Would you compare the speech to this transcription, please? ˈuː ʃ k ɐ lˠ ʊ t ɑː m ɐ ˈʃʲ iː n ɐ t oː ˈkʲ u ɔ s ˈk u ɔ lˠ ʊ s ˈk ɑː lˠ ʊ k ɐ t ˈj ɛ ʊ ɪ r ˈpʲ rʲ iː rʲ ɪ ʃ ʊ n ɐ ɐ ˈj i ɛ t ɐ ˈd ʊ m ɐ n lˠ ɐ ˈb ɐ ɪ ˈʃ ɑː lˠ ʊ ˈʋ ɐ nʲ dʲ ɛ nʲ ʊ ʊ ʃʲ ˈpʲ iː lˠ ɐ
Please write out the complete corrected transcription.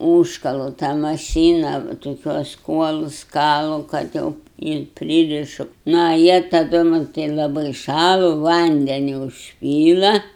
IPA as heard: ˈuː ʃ k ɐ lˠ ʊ t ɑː m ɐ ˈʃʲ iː n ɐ t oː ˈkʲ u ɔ s ˈk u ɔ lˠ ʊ s ˈk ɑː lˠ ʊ k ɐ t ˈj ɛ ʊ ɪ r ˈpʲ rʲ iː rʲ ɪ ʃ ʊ n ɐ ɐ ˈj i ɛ t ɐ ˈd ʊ m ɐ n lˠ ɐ ˈb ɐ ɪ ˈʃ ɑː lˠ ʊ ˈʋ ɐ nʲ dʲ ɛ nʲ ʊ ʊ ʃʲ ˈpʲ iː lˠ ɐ